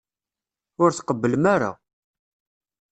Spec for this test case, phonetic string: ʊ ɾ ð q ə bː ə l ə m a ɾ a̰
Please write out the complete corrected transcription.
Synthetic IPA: ʊ ɾ θ q ə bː ə l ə m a ɾ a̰